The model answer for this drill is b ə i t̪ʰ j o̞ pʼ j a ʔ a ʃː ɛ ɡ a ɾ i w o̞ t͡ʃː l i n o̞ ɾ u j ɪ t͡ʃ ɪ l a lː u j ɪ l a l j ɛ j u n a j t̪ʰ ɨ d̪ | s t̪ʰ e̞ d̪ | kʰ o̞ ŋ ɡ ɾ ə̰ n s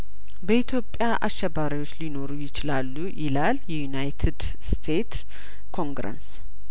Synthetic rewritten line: b ə i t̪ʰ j o̞ pʼ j a ʔ a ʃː ɛ b a ɾ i w o̞ t͡ʃː l i n o̞ ɾ u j ɪ t͡ʃ ɪ l a lː u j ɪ l a l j ɛ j u n a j t̪ʰ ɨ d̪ | s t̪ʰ e̞ t̪ | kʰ o̞ ŋ ɡ ɾ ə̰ n s

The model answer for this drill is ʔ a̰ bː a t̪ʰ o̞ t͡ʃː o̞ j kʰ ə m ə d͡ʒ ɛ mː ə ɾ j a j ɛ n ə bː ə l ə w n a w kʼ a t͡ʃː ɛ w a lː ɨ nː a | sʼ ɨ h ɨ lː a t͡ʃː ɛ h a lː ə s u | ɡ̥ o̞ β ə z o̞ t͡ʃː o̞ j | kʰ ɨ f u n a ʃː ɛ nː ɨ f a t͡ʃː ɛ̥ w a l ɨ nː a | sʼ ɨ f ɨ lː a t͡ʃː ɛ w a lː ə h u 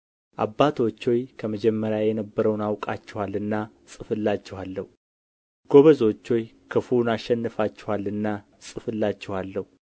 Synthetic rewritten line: ʔ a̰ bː a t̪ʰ o̞ t͡ʃː o̞ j kʰ ə m ə d͡ʒ ɛ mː ə ɾ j a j ɛ n ə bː ə ɾ ə w n a w kʼ a t͡ʃː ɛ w a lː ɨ nː a | sʼ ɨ f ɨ lː a t͡ʃː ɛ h a lː ə h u | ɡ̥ o̞ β ə z o̞ t͡ʃː o̞ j | kʰ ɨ f u n a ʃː ɛ nː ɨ f a t͡ʃː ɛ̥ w a l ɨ nː a | sʼ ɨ f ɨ lː a t͡ʃː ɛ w a lː ə h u

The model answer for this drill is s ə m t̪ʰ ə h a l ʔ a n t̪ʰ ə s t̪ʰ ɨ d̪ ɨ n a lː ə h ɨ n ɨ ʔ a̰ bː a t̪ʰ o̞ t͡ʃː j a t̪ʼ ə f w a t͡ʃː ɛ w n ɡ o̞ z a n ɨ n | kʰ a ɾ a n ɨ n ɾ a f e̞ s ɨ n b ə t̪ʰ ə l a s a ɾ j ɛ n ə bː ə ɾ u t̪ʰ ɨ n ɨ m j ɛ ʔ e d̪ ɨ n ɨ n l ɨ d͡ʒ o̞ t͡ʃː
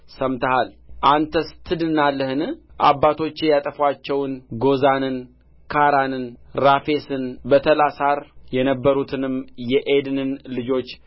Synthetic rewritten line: s ə m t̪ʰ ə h a l ʔ a n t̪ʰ ə s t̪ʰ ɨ d̪ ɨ n a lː ə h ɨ n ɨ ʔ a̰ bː a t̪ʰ o̞ t͡ʃː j a t̪ʼ ə f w a t͡ʃː ɛ w n ɡ o̞ z a n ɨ n | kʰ a ɾ a n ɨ n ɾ a f e̞ s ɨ n b ə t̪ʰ ə l a s a ɾ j ɛ n ə bː ə ɾ u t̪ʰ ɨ n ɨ m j ɛ ʔ e d̪ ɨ n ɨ n l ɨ d͡ʒ o̞ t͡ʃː

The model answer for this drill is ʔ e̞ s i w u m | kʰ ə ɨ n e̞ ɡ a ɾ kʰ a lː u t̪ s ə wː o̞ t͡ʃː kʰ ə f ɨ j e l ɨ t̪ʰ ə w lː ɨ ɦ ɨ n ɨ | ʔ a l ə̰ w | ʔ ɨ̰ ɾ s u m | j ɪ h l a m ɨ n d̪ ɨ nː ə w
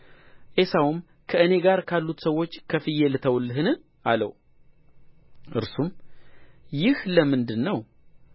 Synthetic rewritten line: ʔ e̞ s a w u m | kʰ ə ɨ n e̞ ɡ a ɾ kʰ a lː u t̪ s ə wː o̞ t͡ʃː kʰ ə f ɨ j e l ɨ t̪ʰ ə w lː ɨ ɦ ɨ n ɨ | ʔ a l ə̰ w | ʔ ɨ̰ ɾ s u m | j ɪ h l ə m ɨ n d̪ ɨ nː ə w

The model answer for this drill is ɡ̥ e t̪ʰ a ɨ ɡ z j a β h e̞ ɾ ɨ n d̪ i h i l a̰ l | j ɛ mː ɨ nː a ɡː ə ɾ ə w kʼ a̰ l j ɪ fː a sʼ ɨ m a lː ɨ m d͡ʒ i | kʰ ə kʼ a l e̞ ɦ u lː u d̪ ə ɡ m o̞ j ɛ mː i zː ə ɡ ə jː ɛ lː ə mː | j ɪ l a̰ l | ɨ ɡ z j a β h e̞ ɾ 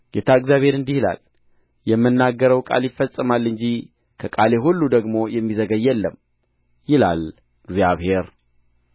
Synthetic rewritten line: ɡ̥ e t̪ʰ a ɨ ɡ z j a β h e̞ ɾ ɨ n d̪ i h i l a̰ l | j ɛ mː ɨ nː a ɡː ə ɾ ə w kʼ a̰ l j ɪ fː ə sʼ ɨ m a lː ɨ ɲ d͡ʒ i | kʰ ə kʼ a l e̞ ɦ u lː u d̪ ə ɡ m o̞ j ɛ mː i z ə ɡ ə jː ɛ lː ə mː | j ɪ l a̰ l | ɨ ɡ z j a β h e̞ ɾ

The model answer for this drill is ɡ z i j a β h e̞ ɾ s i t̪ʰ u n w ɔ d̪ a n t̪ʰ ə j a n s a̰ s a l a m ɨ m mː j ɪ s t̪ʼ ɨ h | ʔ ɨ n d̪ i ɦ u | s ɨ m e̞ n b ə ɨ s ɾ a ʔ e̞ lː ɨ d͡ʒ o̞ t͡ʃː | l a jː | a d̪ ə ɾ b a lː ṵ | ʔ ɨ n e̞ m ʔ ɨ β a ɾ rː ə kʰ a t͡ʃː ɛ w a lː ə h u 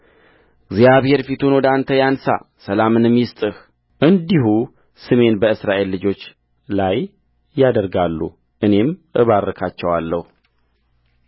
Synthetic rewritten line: ɡ z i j a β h e̞ ɾ f i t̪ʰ u n w ɔ d̪ a n t̪ʰ ə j a n s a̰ s ə l a m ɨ n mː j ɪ s t̪ʼ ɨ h | ʔ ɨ n d̪ i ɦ u | s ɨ m e̞ n b ə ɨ s ɾ a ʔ e̞ lː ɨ d͡ʒ o̞ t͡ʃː | l a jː | a d̪ ə ɾ ɡ a lː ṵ | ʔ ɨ n e̞ m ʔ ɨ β a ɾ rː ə kʰ a t͡ʃː ɛ w a lː ə h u

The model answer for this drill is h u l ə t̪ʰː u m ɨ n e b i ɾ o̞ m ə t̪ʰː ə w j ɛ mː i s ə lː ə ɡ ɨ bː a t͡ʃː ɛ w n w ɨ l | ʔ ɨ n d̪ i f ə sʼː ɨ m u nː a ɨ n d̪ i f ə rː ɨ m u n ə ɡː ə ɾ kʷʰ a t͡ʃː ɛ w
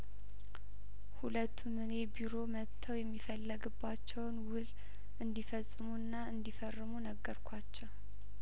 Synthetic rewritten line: h u l ə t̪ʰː u m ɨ n e b i ɾ o̞ m ə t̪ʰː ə w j ɛ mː i f ə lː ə ɡ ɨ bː a t͡ʃː ɛ w n w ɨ l | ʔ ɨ n d̪ i f ə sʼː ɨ m u nː a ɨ n d̪ i f ə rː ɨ m u n ə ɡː ə ɾ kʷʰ a t͡ʃː ɛ w

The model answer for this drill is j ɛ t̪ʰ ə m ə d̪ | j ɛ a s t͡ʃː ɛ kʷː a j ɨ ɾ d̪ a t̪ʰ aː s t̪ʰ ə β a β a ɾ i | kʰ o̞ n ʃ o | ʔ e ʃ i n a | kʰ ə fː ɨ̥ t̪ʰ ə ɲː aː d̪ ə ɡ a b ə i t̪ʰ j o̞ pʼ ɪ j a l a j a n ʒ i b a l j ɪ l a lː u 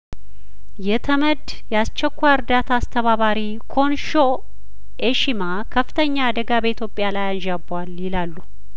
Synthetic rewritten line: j ɛ t̪ʰ ə m ə d̪ | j ɛ a s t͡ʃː ɛ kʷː a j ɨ ɾ d̪ a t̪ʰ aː s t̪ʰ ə β a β a ɾ i | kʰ o̞ n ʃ o | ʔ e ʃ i m a | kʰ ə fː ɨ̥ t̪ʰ ə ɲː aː d̪ ə ɡ a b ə i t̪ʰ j o̞ pʼ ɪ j a l a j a n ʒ a b a l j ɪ l a lː u

